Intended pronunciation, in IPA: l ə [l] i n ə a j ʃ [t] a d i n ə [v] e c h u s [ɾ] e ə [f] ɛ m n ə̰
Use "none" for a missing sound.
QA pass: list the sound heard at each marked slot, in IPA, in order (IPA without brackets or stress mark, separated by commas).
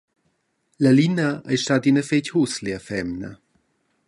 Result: l, t, f, l, f